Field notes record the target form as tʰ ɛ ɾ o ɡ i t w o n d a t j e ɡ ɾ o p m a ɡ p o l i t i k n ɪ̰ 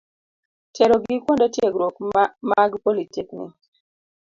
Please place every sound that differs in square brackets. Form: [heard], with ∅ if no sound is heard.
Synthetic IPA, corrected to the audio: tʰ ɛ ɾ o ɡ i [k] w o n d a t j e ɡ ɾ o [k] m a ɡ p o l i t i k n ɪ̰